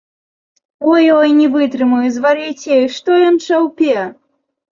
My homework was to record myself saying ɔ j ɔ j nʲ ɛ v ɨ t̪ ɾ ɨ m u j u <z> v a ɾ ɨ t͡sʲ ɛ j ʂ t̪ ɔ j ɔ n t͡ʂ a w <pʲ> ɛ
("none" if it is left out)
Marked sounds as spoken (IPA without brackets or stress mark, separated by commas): z, pʲ